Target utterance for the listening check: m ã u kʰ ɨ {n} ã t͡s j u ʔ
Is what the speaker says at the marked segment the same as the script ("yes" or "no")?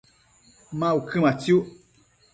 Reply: no